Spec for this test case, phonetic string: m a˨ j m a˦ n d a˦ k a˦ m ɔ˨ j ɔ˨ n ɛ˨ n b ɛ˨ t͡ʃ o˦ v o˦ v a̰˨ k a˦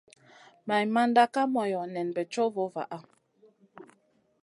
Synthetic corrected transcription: m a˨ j m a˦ n d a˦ k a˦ m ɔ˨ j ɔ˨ n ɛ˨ n b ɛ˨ t͡ʃ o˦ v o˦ v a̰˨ ʔ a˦